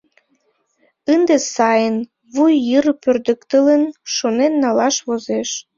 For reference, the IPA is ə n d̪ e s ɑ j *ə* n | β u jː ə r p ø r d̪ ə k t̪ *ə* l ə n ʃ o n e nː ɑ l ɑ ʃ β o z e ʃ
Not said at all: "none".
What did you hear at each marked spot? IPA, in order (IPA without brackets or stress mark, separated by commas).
ə, ə